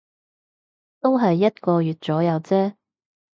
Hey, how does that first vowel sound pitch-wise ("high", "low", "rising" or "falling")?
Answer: high